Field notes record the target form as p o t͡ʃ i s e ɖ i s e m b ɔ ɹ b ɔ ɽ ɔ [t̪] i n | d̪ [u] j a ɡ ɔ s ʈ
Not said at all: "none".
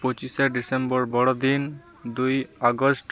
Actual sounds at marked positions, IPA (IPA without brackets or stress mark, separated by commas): d̪, u